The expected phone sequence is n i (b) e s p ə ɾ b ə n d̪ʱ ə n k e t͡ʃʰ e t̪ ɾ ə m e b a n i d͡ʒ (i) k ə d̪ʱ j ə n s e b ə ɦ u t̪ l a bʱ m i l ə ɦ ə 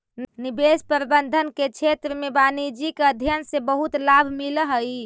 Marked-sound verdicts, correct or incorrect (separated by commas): correct, correct